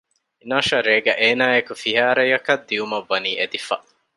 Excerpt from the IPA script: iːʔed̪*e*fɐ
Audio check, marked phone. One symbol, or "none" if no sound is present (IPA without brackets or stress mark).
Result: i